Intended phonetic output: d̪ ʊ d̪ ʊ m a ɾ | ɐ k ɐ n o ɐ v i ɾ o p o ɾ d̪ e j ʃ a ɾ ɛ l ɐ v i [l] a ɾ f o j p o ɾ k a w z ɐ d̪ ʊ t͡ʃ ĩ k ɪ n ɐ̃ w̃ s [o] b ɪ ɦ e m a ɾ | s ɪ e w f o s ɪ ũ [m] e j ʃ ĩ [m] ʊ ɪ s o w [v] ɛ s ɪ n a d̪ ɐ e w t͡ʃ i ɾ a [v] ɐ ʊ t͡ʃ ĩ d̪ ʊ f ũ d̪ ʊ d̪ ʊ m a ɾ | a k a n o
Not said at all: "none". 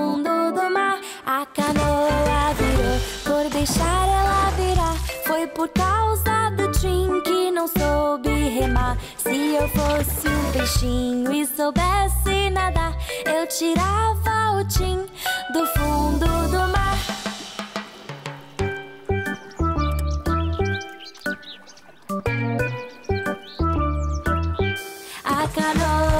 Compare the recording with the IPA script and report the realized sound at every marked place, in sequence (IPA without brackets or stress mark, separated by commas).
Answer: ɾ, o, b, ɲ, b, v